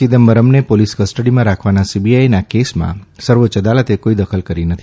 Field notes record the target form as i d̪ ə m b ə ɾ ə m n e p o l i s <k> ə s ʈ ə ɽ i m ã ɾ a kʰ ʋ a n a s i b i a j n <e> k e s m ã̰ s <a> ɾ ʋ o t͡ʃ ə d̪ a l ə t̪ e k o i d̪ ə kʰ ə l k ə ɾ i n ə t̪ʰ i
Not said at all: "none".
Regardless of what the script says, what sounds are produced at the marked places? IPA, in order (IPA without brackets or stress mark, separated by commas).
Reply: k, a, ə